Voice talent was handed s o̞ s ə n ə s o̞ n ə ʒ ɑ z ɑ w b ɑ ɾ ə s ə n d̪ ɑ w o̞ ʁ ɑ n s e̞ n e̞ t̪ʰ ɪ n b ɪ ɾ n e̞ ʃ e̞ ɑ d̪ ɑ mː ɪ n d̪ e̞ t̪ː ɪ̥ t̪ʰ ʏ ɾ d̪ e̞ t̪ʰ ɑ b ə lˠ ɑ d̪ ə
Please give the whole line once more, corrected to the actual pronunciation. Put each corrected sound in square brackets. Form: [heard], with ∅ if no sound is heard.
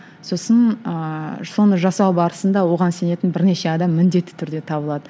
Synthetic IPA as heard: s o̞ s ə n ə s o̞ n ə ʒ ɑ [s] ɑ w b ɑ ɾ ə s ə n d̪ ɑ w o̞ ʁ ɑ n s e̞ n e̞ [t̪] ɪ n b ɪ ɾ n e̞ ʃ e̞ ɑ d̪ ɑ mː ɪ n d̪ e̞ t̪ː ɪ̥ t̪ʰ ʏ ɾ d̪ e̞ t̪ʰ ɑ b ə lˠ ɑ d̪ ə